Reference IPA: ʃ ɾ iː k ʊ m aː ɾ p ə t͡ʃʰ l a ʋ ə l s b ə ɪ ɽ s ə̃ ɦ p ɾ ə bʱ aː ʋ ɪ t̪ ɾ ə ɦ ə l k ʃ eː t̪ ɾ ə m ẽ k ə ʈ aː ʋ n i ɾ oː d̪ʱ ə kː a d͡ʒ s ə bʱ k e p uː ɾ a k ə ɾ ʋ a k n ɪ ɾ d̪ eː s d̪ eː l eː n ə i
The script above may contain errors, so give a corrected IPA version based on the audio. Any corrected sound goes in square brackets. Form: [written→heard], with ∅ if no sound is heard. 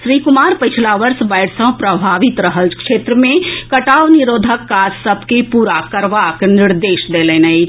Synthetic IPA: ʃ ɾ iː k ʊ m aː ɾ p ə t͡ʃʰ l a ʋ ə [l→ɾ] s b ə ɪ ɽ s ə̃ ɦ p ɾ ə bʱ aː ʋ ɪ t̪ ɾ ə ɦ ə l k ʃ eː t̪ ɾ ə m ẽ k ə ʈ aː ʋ n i ɾ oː d̪ʱ ə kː a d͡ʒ s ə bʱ k e p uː ɾ a k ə ɾ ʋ a k n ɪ ɾ d̪ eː [s→ʃ] d̪ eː l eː n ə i